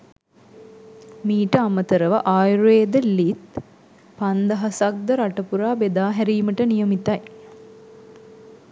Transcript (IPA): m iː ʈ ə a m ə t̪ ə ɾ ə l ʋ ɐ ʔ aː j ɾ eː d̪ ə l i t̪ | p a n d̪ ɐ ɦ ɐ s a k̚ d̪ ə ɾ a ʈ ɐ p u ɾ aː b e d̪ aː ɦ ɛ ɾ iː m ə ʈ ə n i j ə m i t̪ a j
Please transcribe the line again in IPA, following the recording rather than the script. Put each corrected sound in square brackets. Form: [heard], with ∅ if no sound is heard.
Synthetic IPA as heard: m iː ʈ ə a m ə t̪ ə ɾ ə [∅] ʋ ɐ ʔ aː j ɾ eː d̪ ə l i t̪ | p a n d̪ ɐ ɦ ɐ s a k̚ d̪ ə ɾ a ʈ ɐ p u ɾ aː b e d̪ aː ɦ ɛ ɾ iː m ə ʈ ə n i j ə m i t̪ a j

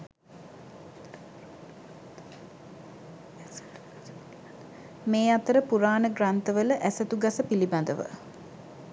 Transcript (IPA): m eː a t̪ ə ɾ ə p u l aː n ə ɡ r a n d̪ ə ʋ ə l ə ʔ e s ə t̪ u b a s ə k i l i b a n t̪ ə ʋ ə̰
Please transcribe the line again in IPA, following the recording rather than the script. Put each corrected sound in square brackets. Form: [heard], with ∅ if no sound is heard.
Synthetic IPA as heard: m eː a t̪ ə ɾ ə p u [ɾ] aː n ə ɡ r a n [t̪] ə ʋ ə l ə ʔ [æ] s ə t̪ u [ɡ] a s ə [p] i l i b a n [d̪] ə ʋ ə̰

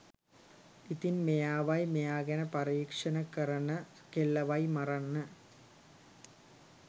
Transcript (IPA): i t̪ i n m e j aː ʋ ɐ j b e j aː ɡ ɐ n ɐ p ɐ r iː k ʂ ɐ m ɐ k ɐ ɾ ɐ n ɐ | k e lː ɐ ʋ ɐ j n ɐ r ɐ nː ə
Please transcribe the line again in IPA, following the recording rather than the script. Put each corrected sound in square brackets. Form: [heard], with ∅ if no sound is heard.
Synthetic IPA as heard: i t̪ i n m e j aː ʋ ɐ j [m] e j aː ɡ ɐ n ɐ p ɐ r iː k ʂ ɐ [n] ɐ k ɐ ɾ ɐ n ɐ | k e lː ɐ ʋ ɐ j [m] ɐ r ɐ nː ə

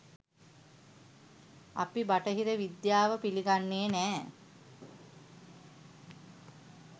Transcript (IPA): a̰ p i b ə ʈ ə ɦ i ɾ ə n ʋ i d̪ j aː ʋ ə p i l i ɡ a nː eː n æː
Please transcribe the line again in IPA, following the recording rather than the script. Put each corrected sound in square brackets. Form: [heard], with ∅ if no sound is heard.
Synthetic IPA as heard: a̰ p i b [a] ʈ ə ɦ i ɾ ə [∅] ʋ i d̪ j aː ʋ ə p i l i ɡ a nː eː n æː

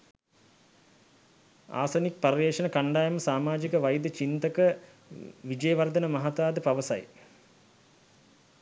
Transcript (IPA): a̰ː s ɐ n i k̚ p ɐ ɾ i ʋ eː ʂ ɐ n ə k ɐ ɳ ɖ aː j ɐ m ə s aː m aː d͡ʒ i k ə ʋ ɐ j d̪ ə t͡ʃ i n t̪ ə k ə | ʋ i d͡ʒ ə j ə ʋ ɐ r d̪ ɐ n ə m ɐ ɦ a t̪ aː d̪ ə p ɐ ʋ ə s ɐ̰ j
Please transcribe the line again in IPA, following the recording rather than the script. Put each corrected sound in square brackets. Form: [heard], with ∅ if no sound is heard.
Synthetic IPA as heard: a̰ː s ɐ n i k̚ p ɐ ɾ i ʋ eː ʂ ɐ n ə k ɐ ɳ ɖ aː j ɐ m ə s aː m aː d͡ʒ i k ə ʋ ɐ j d̪ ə t͡ʃ i n t̪ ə k ə | ʋ i d͡ʒ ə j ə ʋ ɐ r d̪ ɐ n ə m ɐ ɦ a t̪ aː d̪ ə p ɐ ʋ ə s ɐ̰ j

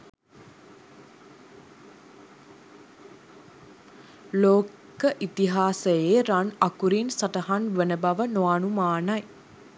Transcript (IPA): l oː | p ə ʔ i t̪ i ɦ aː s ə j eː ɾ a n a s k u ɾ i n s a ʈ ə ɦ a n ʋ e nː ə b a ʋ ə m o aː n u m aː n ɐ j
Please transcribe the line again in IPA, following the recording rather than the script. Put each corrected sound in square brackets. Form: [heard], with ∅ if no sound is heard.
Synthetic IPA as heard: l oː | [k] ə ʔ i t̪ i ɦ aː s ə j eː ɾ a n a [∅] k u ɾ i n s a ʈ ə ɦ a n ʋ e [n] ə b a ʋ ə [n] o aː n u m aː n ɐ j

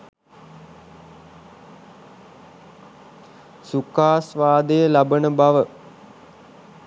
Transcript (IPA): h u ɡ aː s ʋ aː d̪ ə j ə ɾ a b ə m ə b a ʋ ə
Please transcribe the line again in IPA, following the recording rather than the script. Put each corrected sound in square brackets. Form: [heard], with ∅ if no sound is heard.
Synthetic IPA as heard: [s] u [k] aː s ʋ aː d̪ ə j ə [l] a b ə [n] ə b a ʋ ə

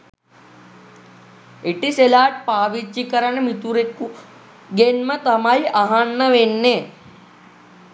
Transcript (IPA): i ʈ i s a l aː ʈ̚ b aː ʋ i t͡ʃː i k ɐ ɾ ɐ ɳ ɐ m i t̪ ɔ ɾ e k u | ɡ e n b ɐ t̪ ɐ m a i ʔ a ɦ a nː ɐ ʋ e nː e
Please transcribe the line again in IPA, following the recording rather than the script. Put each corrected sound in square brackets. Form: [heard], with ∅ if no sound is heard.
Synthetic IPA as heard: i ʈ i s [e] l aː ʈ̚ [p] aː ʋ i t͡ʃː i k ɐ ɾ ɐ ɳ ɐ m i t̪ [u] ɾ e k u | ɡ e n [m] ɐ t̪ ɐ m a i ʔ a ɦ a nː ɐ ʋ e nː e

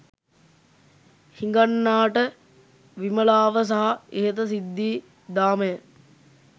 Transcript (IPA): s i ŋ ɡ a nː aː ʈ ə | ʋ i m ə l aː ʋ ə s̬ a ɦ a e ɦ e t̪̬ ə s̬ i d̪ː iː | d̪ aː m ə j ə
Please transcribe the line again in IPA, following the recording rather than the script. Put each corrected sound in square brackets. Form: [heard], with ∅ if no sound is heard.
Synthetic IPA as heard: [h] i ŋ ɡ a nː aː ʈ ə | ʋ i m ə l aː ʋ ə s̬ a ɦ a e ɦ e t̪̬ ə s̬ i d̪ː iː | d̪ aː m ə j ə

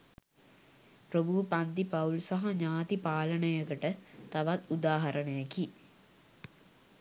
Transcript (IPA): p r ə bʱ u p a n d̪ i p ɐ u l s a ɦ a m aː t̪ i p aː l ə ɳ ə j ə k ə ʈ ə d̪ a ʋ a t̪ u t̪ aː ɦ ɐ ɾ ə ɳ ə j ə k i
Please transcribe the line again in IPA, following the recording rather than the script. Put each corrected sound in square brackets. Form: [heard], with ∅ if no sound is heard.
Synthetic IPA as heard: p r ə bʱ u p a n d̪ i p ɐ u l s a ɦ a [ɲ] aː t̪ i p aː l ə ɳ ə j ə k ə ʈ ə [t̪] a ʋ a t̪ u [d̪] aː ɦ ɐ ɾ ə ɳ ə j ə k i

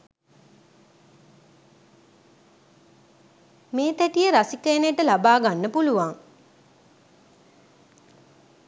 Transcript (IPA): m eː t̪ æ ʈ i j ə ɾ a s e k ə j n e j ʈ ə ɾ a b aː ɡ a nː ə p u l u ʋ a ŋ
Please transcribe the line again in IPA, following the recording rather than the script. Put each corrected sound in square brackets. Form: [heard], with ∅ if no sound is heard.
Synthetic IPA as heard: m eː t̪ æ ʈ i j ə ɾ a s [i] k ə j n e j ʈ ə [l] a b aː ɡ a nː ə p u l u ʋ a ŋ

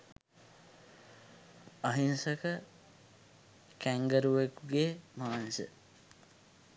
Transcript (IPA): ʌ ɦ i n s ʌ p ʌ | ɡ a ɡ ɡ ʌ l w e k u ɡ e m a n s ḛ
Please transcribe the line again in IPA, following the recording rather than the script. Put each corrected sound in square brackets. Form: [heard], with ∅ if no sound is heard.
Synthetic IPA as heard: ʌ ɦ i n s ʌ [k] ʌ | [k] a [ŋ] ɡ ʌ [ɾ] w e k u ɡ e m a n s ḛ

